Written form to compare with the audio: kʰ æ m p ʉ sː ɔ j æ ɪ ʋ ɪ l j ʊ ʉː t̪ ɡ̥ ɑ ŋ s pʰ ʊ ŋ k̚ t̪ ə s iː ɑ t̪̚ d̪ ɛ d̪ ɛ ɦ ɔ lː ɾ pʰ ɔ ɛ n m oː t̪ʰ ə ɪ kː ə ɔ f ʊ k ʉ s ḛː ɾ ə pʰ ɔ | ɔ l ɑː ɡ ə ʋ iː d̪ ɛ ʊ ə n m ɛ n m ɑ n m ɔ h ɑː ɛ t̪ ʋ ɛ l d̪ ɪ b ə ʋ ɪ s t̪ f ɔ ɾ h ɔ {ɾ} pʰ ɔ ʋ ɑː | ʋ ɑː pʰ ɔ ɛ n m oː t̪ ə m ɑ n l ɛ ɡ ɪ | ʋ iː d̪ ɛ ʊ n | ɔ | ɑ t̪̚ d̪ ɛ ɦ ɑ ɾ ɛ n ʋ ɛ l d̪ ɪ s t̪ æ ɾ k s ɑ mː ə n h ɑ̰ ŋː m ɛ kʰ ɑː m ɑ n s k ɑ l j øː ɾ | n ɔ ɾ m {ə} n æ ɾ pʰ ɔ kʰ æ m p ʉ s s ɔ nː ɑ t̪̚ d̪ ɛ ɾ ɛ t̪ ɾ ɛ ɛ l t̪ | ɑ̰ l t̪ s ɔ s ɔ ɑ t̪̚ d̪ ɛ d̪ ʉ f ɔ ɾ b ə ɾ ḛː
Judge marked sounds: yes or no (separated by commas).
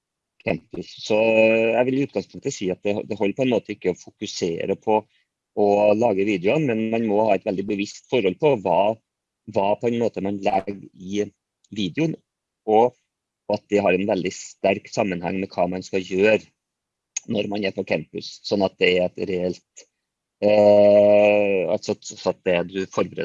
no, no